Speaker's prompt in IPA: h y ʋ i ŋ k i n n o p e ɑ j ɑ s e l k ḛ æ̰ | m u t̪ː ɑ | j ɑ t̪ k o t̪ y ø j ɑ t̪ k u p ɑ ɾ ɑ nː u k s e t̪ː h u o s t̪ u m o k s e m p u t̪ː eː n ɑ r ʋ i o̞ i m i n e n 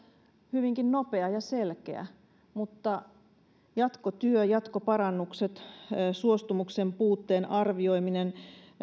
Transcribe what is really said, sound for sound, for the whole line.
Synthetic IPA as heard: h y ʋ i ŋ k i n n o p e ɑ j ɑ s e l k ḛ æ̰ | m u t̪ː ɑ | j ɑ t̪ k o t̪ y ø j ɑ t̪ k o p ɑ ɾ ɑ nː u k s e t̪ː s u o s t̪ u m u k s e m p uː t̪ː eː n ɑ r ʋ i o̞ i m i n e n